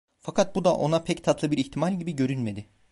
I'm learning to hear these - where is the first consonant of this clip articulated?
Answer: lips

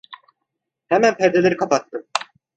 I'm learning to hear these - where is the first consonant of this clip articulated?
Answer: throat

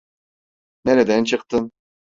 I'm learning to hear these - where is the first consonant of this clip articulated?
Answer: tongue tip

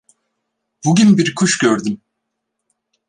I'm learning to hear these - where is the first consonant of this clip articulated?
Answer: lips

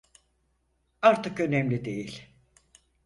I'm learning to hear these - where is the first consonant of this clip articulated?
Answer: tongue tip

